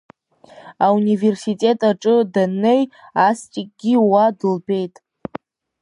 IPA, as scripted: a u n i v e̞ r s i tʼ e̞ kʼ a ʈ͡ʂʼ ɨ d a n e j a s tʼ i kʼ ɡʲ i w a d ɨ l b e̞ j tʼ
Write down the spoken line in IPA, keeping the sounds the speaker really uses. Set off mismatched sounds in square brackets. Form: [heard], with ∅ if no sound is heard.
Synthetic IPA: a u n i v e̞ r s i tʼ e̞ [tʼ] a ʈ͡ʂʼ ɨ d a n e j a s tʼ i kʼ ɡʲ i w a d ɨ l b e̞ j tʼ